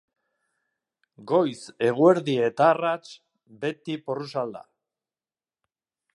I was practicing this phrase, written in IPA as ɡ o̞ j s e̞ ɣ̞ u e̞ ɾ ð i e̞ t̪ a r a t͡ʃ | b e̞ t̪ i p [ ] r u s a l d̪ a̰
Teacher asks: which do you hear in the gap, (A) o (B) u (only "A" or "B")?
A